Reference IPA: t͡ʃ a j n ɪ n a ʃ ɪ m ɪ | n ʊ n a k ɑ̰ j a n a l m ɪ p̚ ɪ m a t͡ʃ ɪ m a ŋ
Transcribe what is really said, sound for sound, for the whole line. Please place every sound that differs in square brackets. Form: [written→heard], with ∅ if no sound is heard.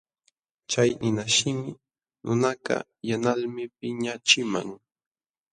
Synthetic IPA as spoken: t͡ʃ a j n ɪ n a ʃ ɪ m ɪ | n ʊ n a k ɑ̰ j a n a l m ɪ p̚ ɪ [m→ɲ] a t͡ʃ ɪ m a ŋ